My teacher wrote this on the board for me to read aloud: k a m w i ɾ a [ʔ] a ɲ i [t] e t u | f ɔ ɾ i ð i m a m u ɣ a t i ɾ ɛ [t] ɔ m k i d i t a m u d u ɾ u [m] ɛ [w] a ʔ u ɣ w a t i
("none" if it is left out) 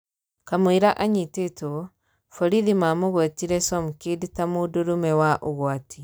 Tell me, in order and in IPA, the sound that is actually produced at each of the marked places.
ʔ, t, s, m, w

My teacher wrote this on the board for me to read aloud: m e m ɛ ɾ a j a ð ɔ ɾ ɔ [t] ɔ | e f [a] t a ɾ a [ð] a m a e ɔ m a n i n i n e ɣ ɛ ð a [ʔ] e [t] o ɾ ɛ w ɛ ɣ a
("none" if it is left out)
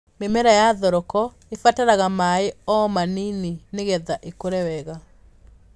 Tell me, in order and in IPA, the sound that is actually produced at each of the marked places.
k, a, ɣ, ʔ, k

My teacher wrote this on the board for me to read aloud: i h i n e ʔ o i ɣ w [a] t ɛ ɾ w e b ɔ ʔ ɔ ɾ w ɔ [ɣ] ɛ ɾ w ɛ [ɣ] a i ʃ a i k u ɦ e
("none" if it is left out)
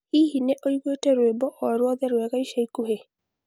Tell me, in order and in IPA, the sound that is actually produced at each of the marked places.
e, ð, ɣ

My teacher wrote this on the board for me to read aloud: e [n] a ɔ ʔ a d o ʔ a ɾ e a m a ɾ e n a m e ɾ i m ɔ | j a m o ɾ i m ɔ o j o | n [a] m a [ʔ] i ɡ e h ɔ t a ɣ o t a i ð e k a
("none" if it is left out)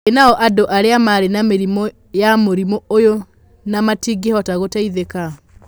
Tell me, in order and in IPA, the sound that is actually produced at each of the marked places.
n, a, t

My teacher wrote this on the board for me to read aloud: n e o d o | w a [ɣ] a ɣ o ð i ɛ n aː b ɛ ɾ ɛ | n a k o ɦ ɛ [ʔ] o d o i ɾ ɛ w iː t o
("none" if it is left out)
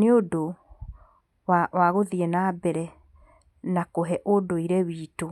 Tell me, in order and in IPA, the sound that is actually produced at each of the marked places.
w, ʔ

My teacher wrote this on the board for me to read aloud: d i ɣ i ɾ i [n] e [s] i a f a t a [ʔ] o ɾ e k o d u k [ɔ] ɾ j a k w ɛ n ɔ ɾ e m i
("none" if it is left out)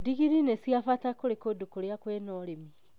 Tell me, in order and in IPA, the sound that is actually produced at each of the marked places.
n, s, k, o

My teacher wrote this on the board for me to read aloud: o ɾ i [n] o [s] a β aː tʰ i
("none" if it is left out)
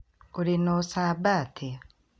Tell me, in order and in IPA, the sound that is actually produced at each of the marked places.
n, s

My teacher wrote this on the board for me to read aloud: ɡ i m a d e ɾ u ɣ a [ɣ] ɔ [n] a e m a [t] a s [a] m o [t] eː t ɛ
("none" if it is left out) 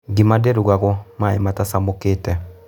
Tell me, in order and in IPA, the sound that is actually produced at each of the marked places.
ɣ, m, t, a, k

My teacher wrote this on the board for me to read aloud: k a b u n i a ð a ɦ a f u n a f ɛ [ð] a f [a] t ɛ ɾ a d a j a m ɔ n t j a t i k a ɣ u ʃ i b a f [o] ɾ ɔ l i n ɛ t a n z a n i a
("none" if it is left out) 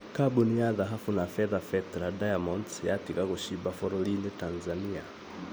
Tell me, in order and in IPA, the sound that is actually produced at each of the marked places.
ð, ɛ, ɔ

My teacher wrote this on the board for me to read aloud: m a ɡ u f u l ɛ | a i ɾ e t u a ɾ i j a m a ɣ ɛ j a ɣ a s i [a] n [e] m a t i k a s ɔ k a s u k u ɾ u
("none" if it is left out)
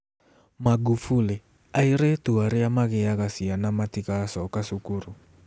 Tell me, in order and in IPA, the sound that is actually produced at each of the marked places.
a, a

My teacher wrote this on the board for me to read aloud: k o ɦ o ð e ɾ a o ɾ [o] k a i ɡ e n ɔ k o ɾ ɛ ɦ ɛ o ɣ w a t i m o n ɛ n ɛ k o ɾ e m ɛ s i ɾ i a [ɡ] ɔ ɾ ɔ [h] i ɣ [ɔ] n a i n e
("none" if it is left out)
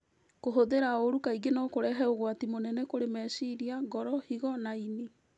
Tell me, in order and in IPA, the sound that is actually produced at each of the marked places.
u, ɡ, h, ɔ

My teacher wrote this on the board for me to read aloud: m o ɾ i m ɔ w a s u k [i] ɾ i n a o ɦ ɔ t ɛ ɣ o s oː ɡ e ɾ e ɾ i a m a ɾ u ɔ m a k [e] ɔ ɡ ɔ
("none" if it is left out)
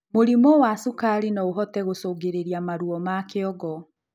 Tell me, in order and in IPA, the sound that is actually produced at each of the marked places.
a, e

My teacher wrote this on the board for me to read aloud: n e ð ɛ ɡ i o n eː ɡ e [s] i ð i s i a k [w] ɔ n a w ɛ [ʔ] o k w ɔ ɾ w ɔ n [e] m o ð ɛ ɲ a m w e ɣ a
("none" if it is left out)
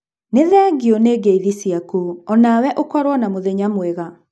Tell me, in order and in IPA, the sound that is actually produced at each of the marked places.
none, u, ʔ, a

